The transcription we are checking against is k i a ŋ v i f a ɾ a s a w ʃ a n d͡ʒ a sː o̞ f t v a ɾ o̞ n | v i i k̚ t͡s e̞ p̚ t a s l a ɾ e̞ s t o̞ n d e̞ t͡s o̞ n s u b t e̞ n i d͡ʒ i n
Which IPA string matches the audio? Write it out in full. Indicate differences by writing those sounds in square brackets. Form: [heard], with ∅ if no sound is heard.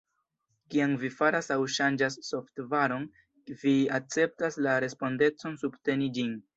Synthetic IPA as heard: k i a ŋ v i f a ɾ a s a w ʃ a n d͡ʒ a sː o̞ f t v a ɾ o̞ n | v i [a] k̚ t͡s e̞ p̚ t a s l a ɾ e̞ s [p] o̞ n d e̞ t͡s o̞ n s u b t e̞ n i d͡ʒ i n